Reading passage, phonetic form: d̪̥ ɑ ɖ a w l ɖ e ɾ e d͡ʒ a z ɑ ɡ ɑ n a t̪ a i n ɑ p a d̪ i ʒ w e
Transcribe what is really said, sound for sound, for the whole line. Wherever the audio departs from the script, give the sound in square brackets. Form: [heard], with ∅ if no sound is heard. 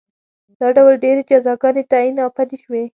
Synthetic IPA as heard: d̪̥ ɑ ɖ a w l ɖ e ɾ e d͡ʒ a z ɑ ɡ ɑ n [e] t̪ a i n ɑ p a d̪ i [ʃ] w e